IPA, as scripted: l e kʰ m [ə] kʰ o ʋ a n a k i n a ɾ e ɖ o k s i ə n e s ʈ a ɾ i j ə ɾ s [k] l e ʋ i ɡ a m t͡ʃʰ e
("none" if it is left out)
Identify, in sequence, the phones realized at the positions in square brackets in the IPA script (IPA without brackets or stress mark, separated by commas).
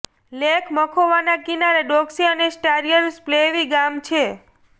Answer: ə, p